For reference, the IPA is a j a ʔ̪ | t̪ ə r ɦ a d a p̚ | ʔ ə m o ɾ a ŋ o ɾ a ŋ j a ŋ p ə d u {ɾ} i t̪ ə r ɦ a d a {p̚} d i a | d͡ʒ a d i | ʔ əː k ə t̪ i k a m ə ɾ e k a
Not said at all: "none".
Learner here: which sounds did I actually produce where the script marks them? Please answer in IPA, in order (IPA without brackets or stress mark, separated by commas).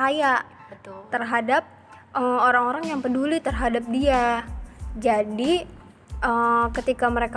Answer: l, p̚